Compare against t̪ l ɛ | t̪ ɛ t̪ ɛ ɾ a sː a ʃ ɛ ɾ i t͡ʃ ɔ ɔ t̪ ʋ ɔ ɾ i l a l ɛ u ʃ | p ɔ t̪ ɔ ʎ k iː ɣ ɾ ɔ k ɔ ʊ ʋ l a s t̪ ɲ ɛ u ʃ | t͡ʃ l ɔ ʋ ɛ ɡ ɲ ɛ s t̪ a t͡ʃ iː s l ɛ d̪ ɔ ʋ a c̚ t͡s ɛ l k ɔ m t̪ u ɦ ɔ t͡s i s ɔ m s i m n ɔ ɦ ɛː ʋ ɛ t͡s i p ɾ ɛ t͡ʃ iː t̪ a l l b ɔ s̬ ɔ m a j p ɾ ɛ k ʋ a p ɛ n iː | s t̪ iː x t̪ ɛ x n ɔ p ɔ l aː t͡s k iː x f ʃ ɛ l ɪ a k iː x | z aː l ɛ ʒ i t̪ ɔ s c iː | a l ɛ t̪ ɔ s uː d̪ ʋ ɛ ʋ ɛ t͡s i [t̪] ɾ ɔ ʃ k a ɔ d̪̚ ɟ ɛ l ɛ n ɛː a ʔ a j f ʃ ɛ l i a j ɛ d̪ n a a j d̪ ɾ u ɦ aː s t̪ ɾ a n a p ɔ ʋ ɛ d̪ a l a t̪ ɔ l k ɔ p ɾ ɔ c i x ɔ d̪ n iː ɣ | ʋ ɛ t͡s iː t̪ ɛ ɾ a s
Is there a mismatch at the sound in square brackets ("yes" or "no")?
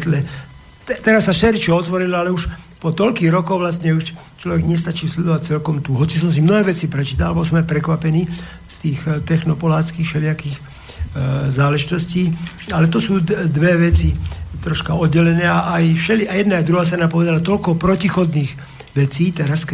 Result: no